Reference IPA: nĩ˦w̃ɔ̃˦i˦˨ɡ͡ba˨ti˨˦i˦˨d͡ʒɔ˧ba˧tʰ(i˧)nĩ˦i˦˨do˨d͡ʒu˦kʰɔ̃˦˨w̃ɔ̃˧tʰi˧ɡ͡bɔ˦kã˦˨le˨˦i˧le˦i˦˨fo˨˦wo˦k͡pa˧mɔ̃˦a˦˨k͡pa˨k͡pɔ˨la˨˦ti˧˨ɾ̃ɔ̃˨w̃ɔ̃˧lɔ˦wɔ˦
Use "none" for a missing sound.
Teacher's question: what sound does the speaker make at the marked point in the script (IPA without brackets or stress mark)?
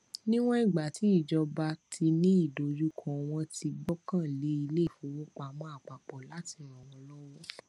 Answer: i˧